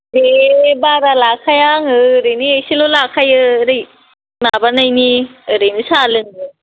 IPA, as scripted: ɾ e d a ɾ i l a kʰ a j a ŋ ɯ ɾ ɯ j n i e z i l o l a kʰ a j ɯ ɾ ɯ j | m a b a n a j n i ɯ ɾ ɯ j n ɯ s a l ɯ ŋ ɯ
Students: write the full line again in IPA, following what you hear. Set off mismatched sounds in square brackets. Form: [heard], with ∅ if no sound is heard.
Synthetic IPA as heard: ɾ e [b] a ɾ [a] l a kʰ a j a ŋ ɯ ɾ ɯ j n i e [s] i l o l a kʰ a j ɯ ɾ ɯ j | m a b a n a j n i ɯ ɾ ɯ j n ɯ s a l ɯ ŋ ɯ